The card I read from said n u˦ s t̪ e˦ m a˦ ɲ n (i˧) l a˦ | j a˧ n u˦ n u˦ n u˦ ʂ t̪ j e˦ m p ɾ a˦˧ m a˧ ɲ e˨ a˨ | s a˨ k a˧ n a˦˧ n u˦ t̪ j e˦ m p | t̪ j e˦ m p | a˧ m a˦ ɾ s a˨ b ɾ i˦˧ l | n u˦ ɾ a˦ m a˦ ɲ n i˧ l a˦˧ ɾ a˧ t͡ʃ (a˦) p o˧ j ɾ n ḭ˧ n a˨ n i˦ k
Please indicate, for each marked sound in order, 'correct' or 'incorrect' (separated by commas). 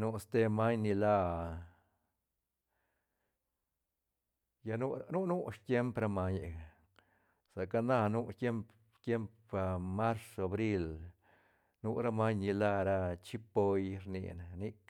correct, incorrect